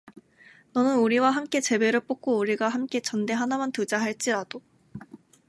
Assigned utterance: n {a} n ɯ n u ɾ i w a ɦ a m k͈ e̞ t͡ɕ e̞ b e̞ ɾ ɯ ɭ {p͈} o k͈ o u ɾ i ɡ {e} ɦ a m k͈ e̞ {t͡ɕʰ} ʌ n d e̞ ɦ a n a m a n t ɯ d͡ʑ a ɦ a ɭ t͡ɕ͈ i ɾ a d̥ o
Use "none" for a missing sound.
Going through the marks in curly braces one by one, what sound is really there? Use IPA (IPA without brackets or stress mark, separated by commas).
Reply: ʌ, p͈, a, t͡ɕ